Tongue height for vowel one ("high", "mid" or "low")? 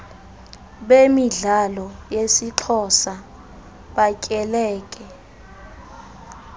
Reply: mid